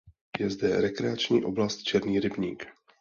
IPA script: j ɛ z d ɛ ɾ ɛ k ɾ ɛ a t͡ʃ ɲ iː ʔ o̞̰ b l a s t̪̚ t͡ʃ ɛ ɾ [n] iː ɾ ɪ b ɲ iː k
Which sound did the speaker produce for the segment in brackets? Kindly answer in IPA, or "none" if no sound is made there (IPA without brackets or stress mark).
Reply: n